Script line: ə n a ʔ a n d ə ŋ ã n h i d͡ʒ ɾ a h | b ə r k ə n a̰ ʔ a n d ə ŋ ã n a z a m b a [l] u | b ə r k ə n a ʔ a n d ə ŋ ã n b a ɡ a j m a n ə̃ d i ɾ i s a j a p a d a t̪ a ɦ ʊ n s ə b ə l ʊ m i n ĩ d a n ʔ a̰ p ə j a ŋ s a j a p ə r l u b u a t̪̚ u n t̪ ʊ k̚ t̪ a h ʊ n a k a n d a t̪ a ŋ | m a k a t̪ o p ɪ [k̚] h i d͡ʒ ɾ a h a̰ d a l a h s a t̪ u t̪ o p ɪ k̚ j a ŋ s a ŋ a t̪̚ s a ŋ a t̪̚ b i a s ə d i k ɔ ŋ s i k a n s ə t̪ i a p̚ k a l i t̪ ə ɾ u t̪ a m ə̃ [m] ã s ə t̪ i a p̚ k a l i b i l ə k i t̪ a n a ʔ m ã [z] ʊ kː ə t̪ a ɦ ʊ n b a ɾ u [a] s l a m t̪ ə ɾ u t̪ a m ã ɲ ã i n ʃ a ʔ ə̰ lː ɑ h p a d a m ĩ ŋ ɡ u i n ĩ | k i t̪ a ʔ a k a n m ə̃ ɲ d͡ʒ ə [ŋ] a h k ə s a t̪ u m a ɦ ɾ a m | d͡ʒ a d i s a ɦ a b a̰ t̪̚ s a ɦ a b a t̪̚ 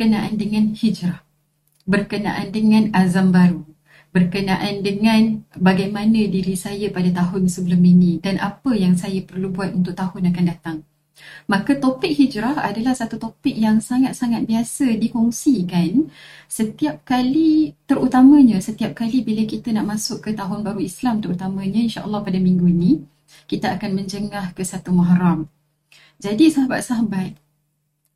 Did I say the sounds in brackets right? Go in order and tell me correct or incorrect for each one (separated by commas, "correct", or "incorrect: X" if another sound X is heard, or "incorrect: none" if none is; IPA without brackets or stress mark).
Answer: incorrect: ɾ, correct, incorrect: ɲ, incorrect: s, incorrect: i, correct